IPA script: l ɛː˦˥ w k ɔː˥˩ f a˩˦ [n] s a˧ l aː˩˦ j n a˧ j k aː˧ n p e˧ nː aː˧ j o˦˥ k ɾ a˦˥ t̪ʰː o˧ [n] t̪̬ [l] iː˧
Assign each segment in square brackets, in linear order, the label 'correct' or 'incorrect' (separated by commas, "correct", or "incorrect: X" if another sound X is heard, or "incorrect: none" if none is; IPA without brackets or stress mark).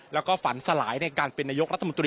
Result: correct, correct, incorrect: ɾ